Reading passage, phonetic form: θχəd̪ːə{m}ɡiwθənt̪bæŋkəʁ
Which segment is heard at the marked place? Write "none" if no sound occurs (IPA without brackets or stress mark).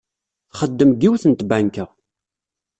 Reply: m